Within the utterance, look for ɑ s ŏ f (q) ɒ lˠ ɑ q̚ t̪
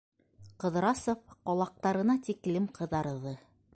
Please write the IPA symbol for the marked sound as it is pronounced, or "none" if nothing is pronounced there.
q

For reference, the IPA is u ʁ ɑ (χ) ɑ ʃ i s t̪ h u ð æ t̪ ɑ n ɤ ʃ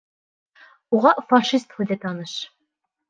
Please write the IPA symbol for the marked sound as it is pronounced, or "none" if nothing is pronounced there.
f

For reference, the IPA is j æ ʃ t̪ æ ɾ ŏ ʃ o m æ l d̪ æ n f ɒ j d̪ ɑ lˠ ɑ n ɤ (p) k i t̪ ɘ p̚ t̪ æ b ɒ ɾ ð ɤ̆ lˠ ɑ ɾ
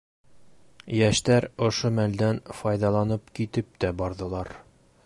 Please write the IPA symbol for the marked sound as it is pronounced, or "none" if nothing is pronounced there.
p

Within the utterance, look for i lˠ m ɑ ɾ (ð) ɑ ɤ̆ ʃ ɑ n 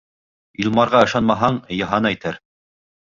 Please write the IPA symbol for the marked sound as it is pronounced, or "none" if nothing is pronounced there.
ʁ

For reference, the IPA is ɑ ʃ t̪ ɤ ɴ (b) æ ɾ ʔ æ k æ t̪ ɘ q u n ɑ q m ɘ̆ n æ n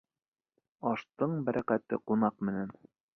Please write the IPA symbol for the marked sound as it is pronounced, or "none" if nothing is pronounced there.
b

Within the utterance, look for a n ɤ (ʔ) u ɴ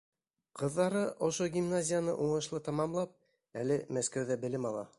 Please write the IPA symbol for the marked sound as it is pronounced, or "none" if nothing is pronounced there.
ʔ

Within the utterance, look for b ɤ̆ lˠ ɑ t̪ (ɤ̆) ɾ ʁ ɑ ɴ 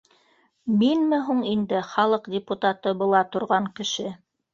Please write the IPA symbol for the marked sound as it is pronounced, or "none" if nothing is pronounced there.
ŏ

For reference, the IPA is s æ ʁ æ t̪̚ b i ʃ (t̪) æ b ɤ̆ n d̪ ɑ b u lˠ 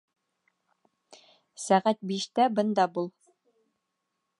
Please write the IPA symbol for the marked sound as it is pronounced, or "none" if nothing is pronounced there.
t̪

